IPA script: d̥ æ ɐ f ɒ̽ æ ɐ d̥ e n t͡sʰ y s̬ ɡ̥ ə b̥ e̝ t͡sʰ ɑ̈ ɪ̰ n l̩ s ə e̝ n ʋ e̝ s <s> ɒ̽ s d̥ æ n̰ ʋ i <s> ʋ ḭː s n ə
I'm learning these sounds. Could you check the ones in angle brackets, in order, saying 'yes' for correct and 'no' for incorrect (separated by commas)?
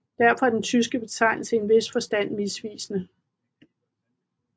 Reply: no, yes